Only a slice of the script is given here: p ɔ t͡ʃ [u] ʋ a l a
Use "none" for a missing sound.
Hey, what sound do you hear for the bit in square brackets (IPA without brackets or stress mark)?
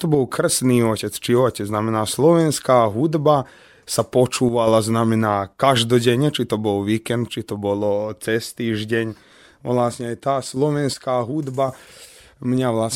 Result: uː